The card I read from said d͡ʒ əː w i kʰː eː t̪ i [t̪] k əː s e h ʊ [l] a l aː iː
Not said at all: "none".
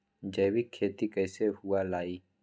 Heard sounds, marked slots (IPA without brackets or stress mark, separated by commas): none, none